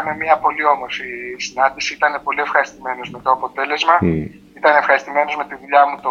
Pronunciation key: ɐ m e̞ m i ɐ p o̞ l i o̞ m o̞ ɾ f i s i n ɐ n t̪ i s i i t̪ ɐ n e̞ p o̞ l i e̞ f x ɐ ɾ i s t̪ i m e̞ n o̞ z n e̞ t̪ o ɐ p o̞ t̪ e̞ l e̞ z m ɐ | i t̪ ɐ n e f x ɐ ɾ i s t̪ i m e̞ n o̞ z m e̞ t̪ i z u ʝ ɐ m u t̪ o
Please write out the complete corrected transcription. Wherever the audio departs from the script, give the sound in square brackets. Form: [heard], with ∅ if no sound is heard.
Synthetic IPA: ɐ m e̞ m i ɐ p o̞ l i o̞ m o̞ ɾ f i s i n ɐ n [d̪] i s i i t̪ ɐ n e̞ p o̞ l i e̞ f x ɐ ɾ i s t̪ i m e̞ n o̞ z [m] e̞ t̪ o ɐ p o̞ t̪ e̞ l e̞ z m ɐ | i t̪ ɐ n e f x ɐ ɾ i s t̪ i m e̞ n o̞ z m e̞ t̪ i [ð] u [ʎ] ɐ m u t̪ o